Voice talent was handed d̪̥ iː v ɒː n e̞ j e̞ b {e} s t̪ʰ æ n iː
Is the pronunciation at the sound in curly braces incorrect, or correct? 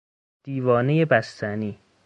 incorrect